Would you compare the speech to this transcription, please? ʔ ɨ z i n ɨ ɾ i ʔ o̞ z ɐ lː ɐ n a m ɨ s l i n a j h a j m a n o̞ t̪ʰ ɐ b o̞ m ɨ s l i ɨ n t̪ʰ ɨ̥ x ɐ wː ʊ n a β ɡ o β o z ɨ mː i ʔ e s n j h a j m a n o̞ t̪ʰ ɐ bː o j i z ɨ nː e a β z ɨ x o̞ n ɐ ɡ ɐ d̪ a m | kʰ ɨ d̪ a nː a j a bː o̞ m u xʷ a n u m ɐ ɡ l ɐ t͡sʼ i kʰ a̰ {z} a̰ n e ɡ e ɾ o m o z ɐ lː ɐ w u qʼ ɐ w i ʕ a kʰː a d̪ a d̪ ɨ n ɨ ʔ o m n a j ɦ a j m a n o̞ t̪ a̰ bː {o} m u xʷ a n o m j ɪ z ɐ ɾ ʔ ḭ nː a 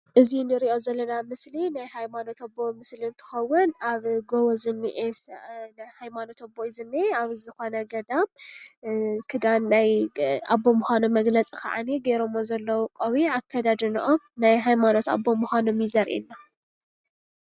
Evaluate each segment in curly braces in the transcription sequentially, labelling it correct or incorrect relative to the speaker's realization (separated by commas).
incorrect, correct